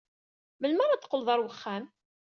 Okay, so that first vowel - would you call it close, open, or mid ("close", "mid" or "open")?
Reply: mid